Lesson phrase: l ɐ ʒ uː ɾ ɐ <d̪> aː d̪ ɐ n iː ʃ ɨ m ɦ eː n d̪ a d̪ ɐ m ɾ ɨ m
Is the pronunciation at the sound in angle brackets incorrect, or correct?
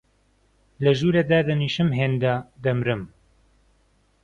correct